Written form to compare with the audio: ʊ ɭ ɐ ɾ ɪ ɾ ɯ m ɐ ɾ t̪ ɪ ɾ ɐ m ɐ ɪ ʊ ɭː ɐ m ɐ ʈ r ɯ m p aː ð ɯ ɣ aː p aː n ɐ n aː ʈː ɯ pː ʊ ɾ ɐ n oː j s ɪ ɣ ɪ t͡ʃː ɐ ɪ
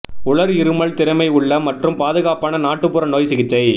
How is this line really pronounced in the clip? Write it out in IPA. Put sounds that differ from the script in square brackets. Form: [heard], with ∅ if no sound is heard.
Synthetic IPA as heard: ʊ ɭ ɐ ɾ ɪ ɾ ɯ m ɐ [ɭ] t̪ ɪ ɾ ɐ m ɐ ɪ ʊ ɭː ɐ m ɐ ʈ r ɯ m p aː ð ɯ ɣ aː p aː n ɐ n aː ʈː ɯ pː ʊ ɾ ɐ n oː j s ɪ ɣ ɪ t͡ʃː ɐ ɪ